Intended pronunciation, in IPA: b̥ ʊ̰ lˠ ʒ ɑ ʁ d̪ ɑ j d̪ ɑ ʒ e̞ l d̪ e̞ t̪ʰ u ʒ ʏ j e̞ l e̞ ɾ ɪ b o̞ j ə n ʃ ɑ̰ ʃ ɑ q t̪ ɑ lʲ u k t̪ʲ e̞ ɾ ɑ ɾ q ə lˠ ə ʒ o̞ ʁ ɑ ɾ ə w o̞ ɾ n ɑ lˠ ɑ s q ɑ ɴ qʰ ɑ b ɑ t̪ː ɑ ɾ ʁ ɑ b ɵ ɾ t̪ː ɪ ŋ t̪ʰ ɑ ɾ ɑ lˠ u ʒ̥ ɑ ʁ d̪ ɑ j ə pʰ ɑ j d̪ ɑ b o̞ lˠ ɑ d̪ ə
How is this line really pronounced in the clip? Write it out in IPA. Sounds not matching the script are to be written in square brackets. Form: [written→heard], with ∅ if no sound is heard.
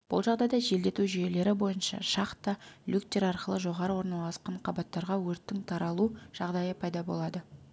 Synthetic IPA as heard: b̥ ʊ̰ lˠ ʒ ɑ ʁ d̪ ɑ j d̪ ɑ ʒ e̞ l d̪ e̞ [t̪ʰ→t̪] u ʒ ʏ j e̞ l e̞ ɾ ɪ b o̞ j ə n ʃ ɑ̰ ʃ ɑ q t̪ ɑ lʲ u k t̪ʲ e̞ ɾ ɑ ɾ q ə lˠ ə ʒ o̞ ʁ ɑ ɾ ə w o̞ ɾ n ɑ lˠ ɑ s q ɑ ɴ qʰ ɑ b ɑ t̪ː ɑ ɾ ʁ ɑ [b→w] ɵ ɾ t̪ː ɪ ŋ t̪ʰ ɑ ɾ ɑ lˠ u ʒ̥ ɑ ʁ d̪ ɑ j ə pʰ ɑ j d̪ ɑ b o̞ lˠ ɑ d̪ ə